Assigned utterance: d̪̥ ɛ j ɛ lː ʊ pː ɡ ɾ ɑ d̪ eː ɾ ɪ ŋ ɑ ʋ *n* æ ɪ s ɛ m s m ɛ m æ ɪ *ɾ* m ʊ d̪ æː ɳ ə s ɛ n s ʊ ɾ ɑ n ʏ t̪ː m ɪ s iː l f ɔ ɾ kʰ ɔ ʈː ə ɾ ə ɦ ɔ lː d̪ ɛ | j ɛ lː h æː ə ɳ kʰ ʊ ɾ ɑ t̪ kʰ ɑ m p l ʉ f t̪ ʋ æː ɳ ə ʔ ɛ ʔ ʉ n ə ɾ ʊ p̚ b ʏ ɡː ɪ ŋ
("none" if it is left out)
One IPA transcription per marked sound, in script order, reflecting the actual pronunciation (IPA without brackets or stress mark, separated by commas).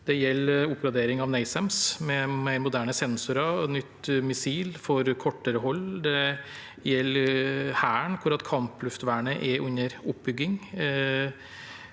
n, ɾ